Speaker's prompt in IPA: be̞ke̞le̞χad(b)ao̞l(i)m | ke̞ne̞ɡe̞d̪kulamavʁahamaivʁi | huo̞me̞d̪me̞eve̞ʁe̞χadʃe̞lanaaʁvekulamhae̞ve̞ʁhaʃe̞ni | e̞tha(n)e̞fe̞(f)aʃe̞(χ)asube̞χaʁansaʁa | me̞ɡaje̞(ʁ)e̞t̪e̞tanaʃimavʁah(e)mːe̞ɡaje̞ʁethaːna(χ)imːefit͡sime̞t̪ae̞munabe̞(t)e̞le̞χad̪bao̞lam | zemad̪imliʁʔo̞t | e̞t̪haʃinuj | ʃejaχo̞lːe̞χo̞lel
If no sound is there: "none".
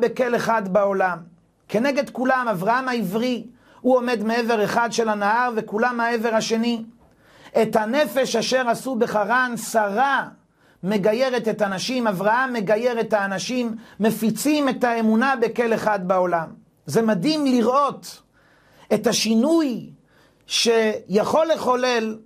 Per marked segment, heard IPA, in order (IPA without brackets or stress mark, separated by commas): b, a, n, ʃ, ʁ, ʁ, a, ʃ, k